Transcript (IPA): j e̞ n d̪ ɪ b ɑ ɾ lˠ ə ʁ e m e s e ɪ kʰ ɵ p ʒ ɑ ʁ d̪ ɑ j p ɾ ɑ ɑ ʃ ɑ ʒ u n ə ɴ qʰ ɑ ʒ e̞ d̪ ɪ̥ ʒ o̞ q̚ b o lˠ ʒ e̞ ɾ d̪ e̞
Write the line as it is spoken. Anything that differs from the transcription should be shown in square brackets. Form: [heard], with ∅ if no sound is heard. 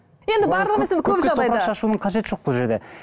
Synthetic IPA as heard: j e̞ n d̪ ɪ b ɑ ɾ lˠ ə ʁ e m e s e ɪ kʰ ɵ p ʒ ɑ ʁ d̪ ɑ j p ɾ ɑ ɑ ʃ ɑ [ʃ] u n ə ɴ qʰ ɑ ʒ e̞ [t̪] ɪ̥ ʒ o̞ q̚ b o lˠ ʒ e̞ ɾ d̪ e̞